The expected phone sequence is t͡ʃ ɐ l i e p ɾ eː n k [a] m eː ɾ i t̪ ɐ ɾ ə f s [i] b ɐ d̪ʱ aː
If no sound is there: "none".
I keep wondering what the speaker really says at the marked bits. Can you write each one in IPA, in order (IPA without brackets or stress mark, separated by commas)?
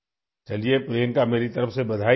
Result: a, e